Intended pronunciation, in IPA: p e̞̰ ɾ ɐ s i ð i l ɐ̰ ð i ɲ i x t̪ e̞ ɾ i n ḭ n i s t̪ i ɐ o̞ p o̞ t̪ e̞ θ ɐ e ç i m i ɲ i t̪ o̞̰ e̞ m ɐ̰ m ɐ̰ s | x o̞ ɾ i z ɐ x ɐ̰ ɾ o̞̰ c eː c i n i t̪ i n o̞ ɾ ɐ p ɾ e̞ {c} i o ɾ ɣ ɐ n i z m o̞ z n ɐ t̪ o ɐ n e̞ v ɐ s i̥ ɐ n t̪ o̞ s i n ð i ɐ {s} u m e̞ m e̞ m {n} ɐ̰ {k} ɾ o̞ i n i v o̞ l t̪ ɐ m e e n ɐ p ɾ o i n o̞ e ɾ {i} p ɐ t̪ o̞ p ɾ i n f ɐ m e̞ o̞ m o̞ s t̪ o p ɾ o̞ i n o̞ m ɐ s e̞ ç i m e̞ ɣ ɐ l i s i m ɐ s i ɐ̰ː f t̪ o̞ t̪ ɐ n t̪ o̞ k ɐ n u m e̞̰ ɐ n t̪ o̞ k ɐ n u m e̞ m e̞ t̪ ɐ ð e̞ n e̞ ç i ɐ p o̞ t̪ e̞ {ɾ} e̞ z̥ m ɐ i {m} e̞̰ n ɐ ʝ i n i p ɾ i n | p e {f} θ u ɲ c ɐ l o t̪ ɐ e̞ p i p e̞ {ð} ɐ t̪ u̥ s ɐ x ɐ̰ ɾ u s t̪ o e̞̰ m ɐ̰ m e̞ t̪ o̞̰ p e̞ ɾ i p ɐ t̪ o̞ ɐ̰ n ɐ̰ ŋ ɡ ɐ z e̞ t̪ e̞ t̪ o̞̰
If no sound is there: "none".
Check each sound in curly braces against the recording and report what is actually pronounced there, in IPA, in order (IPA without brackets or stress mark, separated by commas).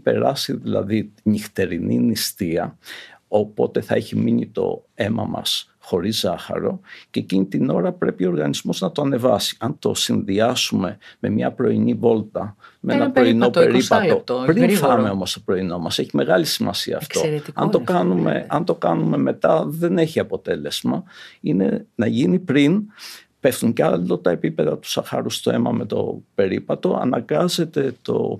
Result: p, s, ɲ, p, i, l, n, f, ð